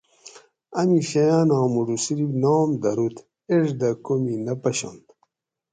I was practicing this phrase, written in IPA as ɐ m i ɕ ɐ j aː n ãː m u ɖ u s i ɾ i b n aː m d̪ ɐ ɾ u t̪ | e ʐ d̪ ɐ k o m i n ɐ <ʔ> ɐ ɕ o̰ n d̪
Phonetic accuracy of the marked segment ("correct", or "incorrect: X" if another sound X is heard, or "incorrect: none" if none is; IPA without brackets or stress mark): incorrect: p